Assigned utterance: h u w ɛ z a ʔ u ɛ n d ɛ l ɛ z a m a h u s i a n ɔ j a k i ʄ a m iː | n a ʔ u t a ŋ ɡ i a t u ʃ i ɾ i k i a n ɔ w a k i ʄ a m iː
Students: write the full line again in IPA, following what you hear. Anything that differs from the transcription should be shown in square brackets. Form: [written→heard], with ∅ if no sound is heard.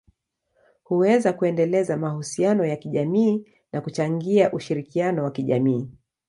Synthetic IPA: h u w ɛ z a [ʔ→k] u ɛ n d ɛ l ɛ z a m a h u s i a n ɔ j a k i ʄ a m iː | n a [ʔ→k] u [t→t͡ʃ] a ŋ ɡ i a [t→ʔ] u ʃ i ɾ i k i a n ɔ w a k i ʄ a m iː

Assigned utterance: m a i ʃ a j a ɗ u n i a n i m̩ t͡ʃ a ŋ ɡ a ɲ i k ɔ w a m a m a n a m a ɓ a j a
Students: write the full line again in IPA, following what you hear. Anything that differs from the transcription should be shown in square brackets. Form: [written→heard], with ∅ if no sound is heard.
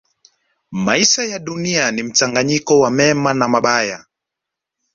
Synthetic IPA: m a i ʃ a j a ɗ u n i a n i m̩ t͡ʃ a ŋ ɡ a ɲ i k ɔ w a m [a→ɛ] m a n a m a ɓ a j a

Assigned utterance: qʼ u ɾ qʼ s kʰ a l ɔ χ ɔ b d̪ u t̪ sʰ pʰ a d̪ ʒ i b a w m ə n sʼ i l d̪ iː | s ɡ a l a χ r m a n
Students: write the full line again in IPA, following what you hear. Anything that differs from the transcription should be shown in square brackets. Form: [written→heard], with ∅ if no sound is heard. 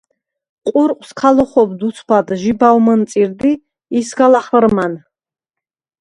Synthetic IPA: qʼ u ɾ qʼ s kʰ a l ɔ χ ɔ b d̪ u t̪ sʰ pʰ a d̪ ʒ i b a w m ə n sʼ i [l→ɾ] d̪ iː | s ɡ a l a χ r m a n

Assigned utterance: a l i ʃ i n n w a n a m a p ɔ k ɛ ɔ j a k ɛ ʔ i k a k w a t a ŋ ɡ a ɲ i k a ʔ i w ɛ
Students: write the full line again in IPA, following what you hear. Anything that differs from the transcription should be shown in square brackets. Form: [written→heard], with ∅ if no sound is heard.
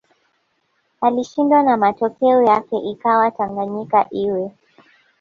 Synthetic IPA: a l i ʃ i n [n→d] w a n a m a [p→t] ɔ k ɛ ɔ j a k ɛ ʔ i k a [k→∅] w a t a ŋ ɡ a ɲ i k a ʔ i w ɛ

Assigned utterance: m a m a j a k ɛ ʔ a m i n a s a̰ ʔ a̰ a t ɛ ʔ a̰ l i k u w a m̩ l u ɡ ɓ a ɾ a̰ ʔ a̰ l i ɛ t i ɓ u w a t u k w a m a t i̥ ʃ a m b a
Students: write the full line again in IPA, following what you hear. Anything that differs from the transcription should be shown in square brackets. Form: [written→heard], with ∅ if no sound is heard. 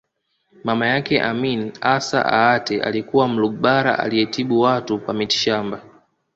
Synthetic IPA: m a m a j a k ɛ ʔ a m i n a s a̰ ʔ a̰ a t ɛ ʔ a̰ l i k u w a m̩ l u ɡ ɓ a ɾ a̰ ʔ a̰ l i ɛ t i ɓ u w a t u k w a m [a→i] t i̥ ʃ a m b a

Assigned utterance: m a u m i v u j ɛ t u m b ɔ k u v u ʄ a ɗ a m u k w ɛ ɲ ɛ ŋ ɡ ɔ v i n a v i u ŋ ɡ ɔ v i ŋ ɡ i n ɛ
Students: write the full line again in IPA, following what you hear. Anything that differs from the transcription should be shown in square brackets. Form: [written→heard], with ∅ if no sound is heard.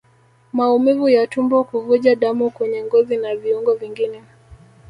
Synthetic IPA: m a u m i v u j [ɛ→a] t u m b ɔ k u v u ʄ a ɗ a m u k w ɛ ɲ ɛ ŋ ɡ ɔ [v→z] i n a v i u ŋ ɡ ɔ v i ŋ ɡ i n ɛ

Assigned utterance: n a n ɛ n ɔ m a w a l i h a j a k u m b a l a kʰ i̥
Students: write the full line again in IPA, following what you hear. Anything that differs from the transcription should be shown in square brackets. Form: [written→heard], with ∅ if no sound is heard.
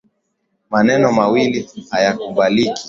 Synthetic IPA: [n→m] a n ɛ n ɔ m a w [a→i] l i h a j a k u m b a l [a→i] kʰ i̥

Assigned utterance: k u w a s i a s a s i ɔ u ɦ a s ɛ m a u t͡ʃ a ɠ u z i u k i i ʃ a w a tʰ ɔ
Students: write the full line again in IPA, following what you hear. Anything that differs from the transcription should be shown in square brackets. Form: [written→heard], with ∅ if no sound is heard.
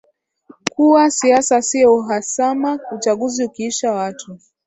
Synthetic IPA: k u w a s i a s a s i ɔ u ɦ a s [ɛ→a] m a u t͡ʃ a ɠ u z i u k i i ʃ a w a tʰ [ɔ→u]

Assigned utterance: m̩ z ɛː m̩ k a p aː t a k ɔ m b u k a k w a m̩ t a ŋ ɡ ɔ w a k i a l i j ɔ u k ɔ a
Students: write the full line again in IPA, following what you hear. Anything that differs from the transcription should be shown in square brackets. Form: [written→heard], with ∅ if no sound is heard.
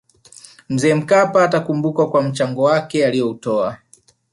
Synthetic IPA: m̩ z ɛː m̩ k a p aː t a k [ɔ→u] m b u k a k w a m̩ [t→t͡ʃ] a ŋ ɡ ɔ w a k [i→ɛ] a l i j ɔ u [k→t] ɔ a

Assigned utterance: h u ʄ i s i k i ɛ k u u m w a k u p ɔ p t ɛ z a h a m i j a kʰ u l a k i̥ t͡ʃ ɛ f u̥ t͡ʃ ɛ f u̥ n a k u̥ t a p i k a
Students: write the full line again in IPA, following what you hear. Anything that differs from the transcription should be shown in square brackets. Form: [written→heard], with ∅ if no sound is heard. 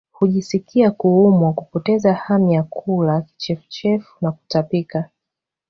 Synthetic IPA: h u ʄ i s i k i [ɛ→a] k u u m w a k u p ɔ [p→∅] t ɛ z a h a m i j a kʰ u l a k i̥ t͡ʃ ɛ f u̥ t͡ʃ ɛ f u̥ n a k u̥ t a p i k a

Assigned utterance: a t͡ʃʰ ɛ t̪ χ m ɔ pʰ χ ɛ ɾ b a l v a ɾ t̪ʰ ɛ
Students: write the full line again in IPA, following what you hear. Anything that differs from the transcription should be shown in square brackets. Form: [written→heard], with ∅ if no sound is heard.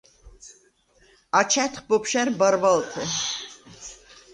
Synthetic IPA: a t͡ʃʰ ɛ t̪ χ [m→b] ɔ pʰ [χ→ʃ] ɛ ɾ b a [l→ɾ] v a [ɾ→l] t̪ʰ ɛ

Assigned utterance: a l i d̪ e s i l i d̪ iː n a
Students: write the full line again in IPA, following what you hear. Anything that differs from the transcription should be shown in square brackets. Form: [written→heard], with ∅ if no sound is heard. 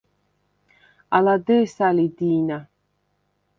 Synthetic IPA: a l [i→a] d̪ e s [i→a] l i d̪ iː n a

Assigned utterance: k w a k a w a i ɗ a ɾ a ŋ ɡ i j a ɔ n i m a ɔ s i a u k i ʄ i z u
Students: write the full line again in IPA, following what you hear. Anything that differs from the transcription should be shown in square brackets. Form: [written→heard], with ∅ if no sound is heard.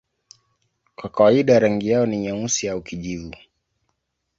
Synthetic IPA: k w a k a w a i ɗ a ɾ a ŋ ɡ i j a ɔ n i [m→ɲ] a [ɔ→u] s i a u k i ʄ i [z→v] u

